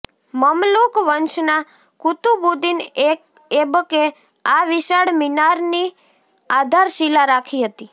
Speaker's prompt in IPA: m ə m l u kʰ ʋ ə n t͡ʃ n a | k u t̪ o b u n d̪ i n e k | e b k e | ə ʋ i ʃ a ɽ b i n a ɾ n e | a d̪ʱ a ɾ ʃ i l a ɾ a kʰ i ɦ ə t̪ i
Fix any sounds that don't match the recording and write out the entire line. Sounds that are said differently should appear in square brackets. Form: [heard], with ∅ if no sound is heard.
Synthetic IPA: m ə m l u [k] ʋ ə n t͡ʃ n a | k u t̪ [u] b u [∅] d̪ i n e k | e b k e | [a] ʋ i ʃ a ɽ [m] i n a ɾ n [i] | a d̪ʱ a ɾ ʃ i l a ɾ a kʰ i ɦ ə t̪ i